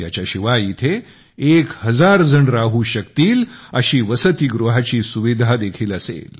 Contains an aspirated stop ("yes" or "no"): yes